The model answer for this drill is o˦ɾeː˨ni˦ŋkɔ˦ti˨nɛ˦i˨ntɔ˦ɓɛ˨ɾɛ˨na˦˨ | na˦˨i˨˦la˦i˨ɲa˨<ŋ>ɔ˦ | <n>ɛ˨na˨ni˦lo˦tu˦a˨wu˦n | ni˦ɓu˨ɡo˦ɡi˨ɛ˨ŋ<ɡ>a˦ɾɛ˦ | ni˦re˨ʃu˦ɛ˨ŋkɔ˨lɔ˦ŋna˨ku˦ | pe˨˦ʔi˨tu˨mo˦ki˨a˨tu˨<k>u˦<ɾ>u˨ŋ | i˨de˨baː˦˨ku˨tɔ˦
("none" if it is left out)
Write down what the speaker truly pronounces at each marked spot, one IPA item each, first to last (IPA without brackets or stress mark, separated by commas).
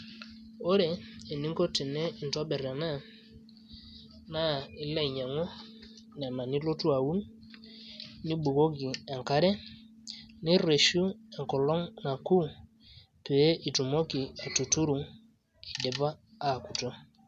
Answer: ŋ, n, k, t, ɾ